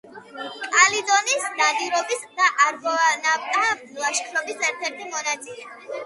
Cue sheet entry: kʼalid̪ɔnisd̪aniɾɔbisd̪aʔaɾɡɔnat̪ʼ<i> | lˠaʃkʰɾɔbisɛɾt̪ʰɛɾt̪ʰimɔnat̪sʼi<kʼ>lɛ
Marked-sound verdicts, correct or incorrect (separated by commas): incorrect, incorrect